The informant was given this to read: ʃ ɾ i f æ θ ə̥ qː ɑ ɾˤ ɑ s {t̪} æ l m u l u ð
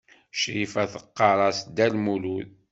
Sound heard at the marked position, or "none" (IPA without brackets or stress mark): d̪